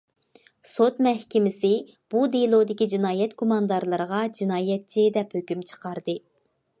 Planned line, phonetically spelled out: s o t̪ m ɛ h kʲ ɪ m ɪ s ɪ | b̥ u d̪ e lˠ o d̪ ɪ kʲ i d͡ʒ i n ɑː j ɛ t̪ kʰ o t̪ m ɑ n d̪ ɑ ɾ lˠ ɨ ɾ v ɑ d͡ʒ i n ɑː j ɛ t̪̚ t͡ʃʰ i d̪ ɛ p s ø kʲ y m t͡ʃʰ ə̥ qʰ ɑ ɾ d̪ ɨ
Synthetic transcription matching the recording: s o t̪ m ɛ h kʲ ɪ m ɪ s ɪ | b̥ u d̪ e lˠ o d̪ ɪ kʲ i d͡ʒ i n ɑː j ɛ t̪ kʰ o m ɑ n d̪ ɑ ɾ lˠ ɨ ɾ ʁ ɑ d͡ʒ i n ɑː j ɛ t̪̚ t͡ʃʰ i d̪ ɛ p h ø kʲ y m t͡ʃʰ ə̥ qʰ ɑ ɾ d̪ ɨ